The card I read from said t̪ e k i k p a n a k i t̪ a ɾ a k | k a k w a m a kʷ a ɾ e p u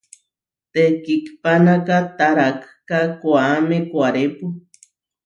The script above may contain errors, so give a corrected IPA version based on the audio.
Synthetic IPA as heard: t̪ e k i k p a n a k a t̪ a ɾ a k | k a k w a m e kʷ a ɾ e p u